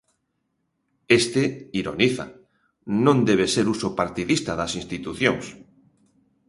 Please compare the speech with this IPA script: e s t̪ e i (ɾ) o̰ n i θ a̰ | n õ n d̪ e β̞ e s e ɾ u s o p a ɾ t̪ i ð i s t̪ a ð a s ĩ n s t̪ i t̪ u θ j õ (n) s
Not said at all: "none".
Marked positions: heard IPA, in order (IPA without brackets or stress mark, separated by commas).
ɾ, ŋ